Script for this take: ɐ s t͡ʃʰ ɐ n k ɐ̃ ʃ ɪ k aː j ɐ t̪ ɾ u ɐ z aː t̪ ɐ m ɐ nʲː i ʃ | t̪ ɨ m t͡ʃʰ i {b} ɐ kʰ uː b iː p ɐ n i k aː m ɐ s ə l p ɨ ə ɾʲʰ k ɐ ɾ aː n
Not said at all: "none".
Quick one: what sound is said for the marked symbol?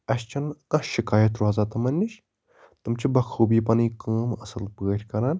b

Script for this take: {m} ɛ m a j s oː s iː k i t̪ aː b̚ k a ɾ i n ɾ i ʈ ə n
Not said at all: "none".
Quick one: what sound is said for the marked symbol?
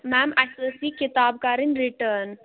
m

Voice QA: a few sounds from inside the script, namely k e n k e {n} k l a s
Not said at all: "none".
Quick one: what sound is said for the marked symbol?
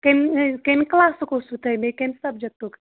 n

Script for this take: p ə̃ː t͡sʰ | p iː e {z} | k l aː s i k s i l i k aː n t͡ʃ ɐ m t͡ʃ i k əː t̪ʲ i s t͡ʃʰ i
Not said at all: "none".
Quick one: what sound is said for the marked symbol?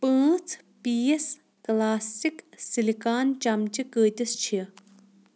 s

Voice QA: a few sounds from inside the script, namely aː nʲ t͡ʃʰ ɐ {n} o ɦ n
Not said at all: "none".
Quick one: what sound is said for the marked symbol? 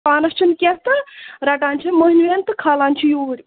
m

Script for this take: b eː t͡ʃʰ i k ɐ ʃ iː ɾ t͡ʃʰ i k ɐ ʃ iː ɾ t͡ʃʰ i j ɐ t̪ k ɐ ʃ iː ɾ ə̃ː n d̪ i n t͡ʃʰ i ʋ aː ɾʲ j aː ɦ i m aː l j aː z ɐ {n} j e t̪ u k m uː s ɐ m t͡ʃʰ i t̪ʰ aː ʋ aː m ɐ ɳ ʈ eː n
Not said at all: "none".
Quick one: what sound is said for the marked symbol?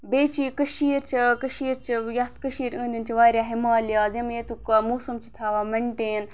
m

